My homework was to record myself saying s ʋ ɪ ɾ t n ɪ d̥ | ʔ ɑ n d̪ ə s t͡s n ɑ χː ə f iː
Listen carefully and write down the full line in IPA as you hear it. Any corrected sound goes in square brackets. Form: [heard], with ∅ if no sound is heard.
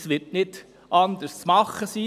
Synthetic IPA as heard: s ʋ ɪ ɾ t n ɪ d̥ | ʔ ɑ n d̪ ə s t͡s [m] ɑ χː ə [s] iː